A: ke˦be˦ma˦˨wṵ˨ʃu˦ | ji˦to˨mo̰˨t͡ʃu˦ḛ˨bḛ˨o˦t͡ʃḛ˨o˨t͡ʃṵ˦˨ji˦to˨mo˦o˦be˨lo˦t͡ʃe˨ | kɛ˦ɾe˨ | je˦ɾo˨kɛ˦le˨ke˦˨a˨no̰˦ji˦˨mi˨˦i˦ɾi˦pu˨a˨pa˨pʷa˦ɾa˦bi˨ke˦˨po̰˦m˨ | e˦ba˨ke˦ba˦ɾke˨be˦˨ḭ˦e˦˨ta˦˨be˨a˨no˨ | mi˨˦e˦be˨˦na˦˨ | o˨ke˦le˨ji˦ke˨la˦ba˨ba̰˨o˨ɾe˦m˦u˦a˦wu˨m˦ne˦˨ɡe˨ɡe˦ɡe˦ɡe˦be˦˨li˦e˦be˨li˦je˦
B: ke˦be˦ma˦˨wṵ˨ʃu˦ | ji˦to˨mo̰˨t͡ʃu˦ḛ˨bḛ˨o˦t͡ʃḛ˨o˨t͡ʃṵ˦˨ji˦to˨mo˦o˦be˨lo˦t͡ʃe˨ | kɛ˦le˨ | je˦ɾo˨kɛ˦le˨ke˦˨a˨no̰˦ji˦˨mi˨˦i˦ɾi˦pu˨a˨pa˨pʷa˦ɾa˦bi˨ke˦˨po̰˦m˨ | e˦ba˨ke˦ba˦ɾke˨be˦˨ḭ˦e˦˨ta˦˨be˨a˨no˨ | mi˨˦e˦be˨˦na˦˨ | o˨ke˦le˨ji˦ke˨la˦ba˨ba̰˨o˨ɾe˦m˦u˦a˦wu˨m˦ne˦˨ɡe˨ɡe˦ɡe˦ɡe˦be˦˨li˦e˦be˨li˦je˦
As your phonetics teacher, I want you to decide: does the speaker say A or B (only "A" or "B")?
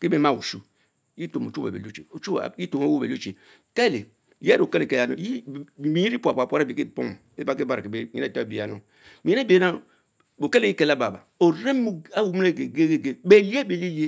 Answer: B